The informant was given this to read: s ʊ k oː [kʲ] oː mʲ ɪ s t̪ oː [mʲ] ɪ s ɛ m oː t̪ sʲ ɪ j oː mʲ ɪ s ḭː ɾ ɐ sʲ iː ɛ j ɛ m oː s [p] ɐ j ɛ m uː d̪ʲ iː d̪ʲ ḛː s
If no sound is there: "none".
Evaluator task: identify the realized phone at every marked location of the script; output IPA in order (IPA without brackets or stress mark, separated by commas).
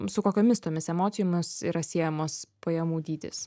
kʲ, mʲ, p